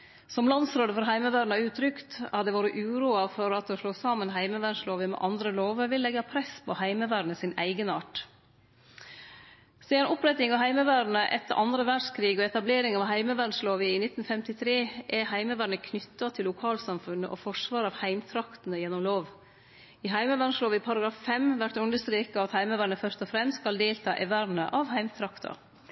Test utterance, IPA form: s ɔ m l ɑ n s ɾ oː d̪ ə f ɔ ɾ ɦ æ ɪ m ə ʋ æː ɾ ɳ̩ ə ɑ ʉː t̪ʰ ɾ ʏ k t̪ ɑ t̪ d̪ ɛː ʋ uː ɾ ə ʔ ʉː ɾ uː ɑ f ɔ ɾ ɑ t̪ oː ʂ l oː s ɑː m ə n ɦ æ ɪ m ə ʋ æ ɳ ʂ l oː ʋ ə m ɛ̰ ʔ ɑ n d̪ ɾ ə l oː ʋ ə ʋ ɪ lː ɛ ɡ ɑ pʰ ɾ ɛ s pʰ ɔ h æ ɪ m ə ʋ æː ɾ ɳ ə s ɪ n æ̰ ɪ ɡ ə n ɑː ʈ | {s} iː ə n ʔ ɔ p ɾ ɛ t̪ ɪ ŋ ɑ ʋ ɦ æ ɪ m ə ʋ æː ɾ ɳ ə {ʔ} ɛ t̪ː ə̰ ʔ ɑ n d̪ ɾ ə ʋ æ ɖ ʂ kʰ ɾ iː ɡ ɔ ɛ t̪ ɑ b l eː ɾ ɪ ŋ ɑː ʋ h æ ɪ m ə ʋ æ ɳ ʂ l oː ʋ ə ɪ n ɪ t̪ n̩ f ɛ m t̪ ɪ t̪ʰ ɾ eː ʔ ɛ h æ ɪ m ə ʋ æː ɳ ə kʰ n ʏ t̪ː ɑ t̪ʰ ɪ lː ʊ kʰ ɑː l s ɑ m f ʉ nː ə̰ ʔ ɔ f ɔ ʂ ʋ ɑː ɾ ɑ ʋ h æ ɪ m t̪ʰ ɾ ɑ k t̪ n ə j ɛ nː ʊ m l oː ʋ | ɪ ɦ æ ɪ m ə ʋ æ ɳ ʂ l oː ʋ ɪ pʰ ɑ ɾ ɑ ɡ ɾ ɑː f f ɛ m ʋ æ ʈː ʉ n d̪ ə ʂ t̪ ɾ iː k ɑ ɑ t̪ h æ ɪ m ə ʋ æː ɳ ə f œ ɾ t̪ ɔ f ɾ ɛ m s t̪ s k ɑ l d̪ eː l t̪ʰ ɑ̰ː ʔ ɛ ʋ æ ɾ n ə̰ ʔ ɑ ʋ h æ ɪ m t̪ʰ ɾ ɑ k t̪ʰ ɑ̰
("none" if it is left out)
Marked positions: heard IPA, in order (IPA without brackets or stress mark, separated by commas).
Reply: s, ʔ